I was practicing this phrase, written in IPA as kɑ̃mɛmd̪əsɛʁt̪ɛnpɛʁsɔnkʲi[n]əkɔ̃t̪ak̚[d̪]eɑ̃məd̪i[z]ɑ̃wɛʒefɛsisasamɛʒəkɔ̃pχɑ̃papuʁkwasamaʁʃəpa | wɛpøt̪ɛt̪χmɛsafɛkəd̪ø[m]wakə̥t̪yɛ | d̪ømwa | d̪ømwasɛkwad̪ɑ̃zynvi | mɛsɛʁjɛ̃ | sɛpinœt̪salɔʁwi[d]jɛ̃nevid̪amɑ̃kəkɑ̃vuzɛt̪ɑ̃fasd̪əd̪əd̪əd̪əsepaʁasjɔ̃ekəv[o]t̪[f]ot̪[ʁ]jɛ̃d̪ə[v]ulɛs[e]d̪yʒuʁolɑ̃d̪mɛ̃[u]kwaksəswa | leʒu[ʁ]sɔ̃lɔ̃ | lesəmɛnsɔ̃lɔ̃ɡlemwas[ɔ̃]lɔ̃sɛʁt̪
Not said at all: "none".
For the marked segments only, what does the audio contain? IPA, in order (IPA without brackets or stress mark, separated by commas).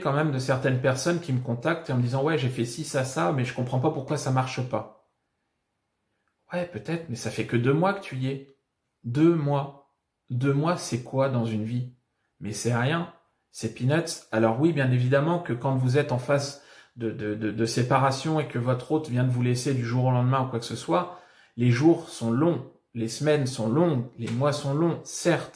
m, t̪, z, m, b, ɔ, χ, v, v, e, u, ʁ, ɔ̃